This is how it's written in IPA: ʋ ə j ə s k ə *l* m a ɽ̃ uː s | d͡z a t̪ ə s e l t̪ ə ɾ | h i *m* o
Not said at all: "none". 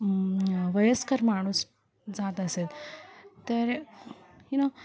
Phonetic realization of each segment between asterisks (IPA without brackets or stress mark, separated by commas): ɾ, n